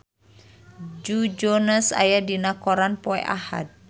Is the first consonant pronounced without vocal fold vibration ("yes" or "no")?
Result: no